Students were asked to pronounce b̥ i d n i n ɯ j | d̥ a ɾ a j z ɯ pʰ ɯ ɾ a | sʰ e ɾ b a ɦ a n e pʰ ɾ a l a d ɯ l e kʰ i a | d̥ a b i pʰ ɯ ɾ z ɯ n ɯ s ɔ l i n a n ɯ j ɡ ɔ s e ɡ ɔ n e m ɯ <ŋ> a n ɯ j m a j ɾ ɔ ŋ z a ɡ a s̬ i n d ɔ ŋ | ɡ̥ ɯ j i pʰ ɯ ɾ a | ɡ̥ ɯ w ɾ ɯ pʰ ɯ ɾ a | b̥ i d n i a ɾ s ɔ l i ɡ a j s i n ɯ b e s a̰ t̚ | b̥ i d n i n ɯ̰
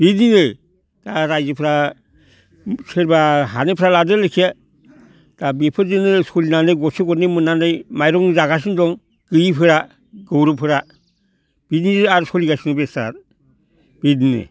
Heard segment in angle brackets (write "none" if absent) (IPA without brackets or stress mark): n